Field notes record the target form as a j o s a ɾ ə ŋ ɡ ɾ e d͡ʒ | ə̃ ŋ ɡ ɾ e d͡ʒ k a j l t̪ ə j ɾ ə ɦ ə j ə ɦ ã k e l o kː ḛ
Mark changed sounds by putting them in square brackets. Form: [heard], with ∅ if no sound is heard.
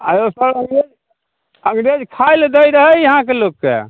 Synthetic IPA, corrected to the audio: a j o s [ə] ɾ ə ŋ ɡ ɾ e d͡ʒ | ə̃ ŋ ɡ ɾ e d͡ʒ [kʰ] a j l [d̪] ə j ɾ ə ɦ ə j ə ɦ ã k e l o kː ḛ